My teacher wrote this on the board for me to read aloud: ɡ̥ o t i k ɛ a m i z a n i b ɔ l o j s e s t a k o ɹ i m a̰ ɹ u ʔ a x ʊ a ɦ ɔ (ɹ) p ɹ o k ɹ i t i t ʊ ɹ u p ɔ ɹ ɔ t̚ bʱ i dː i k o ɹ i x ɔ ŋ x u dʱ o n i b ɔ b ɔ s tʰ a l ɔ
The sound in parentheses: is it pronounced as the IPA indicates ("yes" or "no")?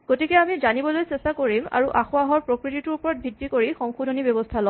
yes